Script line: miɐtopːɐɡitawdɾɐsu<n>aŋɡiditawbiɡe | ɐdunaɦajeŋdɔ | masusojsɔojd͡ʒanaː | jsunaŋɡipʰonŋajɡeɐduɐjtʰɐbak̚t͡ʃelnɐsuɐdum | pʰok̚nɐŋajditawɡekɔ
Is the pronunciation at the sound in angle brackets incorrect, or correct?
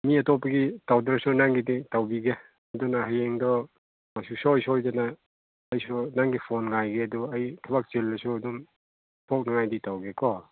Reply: correct